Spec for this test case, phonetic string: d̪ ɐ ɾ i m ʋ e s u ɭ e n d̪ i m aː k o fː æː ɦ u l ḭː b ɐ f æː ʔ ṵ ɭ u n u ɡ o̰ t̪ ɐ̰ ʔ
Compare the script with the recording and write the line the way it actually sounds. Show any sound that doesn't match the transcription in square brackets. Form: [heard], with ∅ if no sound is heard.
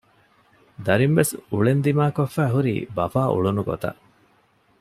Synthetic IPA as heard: d̪ ɐ ɾ i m ʋ e s u ɭ e n d̪ i m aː k o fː æː ɦ u [ɾ] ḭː b ɐ f [aː] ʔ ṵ ɭ u n u ɡ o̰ t̪ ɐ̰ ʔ